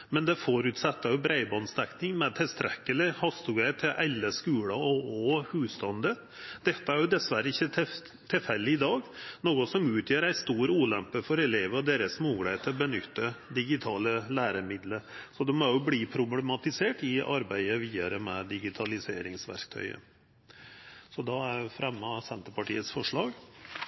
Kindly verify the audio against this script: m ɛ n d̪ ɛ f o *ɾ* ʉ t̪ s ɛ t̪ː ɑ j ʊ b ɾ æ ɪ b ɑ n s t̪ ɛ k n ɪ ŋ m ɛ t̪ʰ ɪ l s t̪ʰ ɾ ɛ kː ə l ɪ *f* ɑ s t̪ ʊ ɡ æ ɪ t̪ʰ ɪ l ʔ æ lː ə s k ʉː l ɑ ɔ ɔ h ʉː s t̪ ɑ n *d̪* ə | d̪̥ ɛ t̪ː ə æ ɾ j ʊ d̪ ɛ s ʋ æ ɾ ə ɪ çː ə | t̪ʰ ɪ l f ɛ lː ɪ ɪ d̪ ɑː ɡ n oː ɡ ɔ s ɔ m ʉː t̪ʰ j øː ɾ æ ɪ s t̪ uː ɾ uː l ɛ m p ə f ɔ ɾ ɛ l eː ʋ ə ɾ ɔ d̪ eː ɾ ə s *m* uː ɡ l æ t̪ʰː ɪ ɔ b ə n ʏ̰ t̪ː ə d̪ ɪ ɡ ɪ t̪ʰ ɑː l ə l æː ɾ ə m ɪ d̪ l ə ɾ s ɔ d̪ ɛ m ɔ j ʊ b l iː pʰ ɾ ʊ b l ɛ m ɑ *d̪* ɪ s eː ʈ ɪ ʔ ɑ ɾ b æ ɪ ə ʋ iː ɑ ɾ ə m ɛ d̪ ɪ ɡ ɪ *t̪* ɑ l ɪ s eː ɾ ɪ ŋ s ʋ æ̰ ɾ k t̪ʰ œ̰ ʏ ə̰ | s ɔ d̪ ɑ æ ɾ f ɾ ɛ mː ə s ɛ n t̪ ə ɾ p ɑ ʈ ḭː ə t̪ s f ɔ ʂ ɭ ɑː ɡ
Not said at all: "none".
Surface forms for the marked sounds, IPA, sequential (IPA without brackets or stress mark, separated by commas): ɾ, h, d̪, m, t̪, t̪ʰ